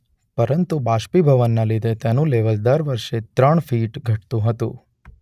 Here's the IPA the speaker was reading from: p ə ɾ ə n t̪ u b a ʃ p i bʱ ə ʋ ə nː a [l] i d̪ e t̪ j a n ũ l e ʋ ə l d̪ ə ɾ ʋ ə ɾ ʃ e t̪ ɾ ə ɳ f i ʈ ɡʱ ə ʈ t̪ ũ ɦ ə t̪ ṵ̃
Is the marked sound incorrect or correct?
correct